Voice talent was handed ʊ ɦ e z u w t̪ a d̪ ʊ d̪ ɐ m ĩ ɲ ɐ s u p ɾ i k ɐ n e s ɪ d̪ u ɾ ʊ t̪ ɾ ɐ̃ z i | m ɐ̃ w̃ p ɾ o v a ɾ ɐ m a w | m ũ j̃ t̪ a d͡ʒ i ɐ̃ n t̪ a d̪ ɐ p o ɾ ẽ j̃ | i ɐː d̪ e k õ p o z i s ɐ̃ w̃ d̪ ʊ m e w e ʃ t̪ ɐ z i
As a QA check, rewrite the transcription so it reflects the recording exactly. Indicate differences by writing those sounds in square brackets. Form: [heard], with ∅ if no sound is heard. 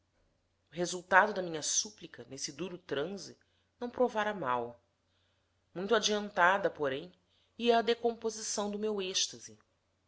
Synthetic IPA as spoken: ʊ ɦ e z u w t̪ a d̪ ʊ d̪ ɐ m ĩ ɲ ɐ s u p [l] i k ɐ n e s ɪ d̪ u ɾ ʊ t̪ ɾ ɐ̃ z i | [n] ɐ̃ w̃ p ɾ o v a ɾ ɐ m a w | m ũ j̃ t̪ a d͡ʒ i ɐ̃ n t̪ a d̪ ɐ p o ɾ ẽ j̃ | i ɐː d̪ e k õ p o z i s ɐ̃ w̃ d̪ ʊ m e w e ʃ t̪ ɐ z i